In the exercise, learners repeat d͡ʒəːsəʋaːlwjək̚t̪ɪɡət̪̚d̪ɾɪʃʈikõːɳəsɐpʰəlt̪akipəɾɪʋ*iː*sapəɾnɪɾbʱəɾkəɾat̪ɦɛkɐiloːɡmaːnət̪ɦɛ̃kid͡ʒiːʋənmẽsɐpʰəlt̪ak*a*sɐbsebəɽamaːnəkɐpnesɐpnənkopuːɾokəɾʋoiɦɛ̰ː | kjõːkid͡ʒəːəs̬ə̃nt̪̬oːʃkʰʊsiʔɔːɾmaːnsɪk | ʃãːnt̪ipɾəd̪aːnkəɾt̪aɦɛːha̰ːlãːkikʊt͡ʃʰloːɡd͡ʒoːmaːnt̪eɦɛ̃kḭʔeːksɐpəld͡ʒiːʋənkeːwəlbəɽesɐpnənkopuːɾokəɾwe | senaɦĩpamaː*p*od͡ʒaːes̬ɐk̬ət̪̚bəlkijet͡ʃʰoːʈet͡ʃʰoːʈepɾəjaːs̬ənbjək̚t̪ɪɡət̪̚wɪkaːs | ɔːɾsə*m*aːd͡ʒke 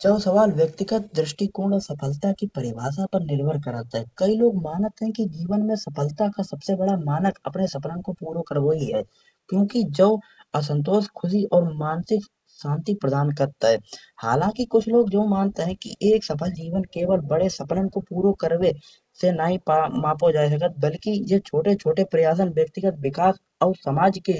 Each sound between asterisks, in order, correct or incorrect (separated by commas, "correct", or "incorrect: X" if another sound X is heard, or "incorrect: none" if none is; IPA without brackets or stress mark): incorrect: aː, correct, correct, correct